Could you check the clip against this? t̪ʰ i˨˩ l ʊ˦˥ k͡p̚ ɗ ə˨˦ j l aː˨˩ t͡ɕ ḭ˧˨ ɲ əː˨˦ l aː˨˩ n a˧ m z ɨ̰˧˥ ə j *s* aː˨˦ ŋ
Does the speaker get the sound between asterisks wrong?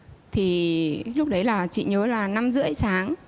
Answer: no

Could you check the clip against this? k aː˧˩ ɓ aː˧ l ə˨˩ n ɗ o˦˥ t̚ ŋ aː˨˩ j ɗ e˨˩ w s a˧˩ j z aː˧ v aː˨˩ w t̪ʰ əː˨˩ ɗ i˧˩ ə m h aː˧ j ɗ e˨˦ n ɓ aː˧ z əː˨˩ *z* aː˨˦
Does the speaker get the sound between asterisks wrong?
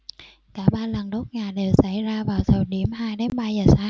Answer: yes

